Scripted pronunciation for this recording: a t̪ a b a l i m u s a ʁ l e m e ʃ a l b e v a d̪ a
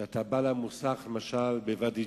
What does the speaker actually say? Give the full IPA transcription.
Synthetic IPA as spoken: a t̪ a b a l a m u s a χ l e m a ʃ a l b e v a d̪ i